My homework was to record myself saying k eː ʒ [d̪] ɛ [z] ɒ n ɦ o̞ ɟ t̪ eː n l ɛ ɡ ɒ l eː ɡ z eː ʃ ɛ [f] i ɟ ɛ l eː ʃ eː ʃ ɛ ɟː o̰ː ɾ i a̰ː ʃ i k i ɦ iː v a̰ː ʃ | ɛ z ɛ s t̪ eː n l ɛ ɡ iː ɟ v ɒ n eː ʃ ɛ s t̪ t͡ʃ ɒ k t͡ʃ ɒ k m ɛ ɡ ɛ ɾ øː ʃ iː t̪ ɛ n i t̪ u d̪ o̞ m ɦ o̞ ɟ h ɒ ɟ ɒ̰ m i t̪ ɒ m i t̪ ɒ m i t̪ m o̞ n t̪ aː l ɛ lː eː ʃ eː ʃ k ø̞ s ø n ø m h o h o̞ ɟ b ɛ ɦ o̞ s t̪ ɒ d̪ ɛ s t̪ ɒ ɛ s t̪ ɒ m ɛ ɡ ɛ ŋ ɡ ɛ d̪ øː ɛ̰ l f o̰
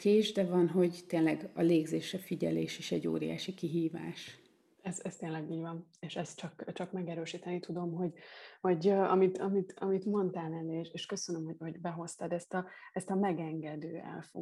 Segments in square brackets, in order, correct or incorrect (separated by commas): correct, incorrect, correct